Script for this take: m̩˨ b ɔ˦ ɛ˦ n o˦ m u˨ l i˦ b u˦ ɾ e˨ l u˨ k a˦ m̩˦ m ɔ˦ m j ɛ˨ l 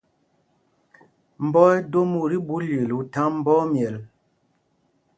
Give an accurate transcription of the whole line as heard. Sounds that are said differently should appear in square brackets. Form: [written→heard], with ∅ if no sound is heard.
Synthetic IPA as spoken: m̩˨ b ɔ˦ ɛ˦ [n→d] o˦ m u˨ [l→ɾ] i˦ b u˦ [ɾ→l] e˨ l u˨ [k→t] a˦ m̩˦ [m→b] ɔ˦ m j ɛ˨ l